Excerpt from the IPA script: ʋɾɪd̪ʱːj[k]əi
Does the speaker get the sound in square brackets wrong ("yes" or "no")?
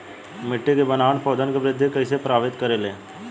no